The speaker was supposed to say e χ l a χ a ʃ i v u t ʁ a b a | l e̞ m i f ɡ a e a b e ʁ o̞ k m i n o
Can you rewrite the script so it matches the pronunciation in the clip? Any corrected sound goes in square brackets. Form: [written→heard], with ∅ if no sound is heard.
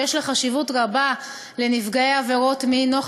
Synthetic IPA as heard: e [χ→ʃ] l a χ a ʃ i v u t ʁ a b a | l e̞ [m→n] i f ɡ a e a [b→v] e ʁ o̞ [k→t] m i n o

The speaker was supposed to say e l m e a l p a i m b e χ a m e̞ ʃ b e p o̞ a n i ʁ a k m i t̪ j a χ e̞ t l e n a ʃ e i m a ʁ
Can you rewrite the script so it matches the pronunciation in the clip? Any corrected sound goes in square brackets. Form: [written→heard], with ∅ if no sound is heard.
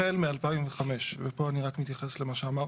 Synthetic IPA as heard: e l m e a l p a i m [b→v] e χ a m e̞ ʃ [b→v] e p o̞ a n i ʁ a k m i t̪ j a χ e̞ [t→s] l e [n→m] a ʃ e [i→a] m a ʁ

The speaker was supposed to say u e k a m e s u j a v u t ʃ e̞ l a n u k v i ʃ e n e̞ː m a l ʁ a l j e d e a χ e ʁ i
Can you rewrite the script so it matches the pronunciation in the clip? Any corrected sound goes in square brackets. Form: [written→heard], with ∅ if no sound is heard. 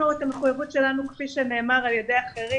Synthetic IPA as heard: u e [k→t] a m e [s→χ] u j a v u t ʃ e̞ l a n u k [v→f] i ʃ e n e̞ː m a [l→∅] ʁ a l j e d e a χ e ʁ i

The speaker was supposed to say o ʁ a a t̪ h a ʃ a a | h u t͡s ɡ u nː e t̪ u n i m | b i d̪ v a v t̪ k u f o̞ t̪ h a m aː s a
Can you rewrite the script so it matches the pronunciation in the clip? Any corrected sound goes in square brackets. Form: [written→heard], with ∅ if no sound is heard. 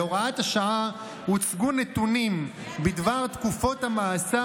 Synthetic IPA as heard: o ʁ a a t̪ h a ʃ a a | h u t͡s ɡ u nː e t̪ u n i m | b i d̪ v a [v→ʁ] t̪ k u f o̞ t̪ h a m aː s a

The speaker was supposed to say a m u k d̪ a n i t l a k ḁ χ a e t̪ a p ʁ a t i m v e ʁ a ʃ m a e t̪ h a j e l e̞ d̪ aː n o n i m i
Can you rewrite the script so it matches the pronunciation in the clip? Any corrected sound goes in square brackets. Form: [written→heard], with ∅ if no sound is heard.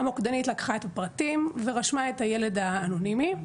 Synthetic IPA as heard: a m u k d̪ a n i t l a k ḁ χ a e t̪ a p ʁ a t i m v e ʁ a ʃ m a e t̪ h a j e l e̞ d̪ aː n o n i m i

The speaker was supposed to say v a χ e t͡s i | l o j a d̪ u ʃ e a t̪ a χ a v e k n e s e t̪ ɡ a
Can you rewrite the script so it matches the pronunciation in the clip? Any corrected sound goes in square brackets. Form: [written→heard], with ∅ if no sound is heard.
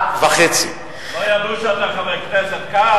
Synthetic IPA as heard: v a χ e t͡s i | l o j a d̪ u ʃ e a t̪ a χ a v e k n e s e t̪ [ɡ→k] a

